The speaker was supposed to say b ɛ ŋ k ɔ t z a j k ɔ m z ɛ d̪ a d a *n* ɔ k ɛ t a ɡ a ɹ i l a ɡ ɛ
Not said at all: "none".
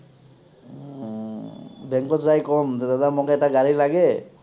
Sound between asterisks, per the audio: m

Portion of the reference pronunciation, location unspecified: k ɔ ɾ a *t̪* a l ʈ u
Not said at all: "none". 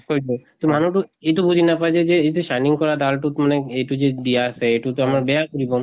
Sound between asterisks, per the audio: d̪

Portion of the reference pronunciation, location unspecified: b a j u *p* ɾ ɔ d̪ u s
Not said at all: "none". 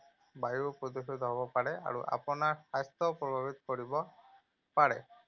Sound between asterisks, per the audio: p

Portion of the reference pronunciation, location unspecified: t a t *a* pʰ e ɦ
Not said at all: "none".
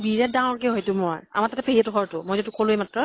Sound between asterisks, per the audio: ɛ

